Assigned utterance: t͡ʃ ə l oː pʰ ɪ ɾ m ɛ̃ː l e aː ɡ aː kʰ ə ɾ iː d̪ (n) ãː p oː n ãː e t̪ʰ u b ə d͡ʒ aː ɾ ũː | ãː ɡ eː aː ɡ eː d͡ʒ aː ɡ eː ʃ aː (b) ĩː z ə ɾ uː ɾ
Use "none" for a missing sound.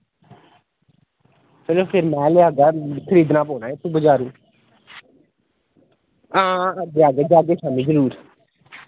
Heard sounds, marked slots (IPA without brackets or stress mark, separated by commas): n, m